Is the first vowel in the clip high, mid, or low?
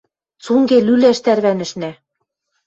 high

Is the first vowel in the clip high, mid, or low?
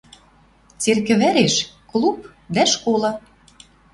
mid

